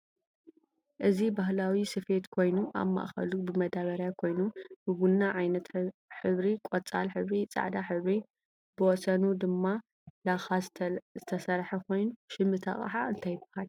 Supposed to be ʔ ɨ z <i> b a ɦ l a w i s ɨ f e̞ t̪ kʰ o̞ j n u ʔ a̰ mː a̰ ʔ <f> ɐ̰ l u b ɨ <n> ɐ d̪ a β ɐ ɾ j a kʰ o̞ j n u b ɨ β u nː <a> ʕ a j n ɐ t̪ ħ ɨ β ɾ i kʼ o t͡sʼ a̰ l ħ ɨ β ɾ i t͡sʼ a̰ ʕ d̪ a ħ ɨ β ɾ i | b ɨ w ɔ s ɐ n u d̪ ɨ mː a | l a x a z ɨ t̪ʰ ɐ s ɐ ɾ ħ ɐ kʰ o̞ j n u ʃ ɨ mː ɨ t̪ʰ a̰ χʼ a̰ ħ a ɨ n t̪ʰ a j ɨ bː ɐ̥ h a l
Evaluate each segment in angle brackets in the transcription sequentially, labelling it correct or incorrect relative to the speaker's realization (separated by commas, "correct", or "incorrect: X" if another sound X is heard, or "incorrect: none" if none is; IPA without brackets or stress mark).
correct, incorrect: x, incorrect: m, correct